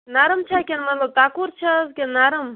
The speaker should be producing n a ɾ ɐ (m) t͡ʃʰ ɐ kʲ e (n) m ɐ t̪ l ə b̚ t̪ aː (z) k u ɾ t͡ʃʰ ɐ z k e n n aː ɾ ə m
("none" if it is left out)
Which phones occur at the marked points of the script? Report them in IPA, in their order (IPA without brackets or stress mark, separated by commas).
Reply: m, n, none